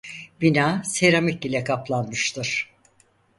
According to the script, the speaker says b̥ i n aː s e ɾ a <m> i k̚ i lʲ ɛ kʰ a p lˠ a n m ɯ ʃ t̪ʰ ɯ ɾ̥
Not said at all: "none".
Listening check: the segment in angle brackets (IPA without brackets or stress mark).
m